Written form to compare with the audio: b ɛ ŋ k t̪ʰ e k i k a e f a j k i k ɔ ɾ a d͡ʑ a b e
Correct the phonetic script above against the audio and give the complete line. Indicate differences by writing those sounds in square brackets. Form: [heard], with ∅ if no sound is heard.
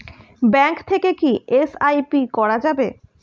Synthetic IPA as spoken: b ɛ ŋ k t̪ʰ e k [e] k [i] e [s] a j [p] i k ɔ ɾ a d͡ʑ a b e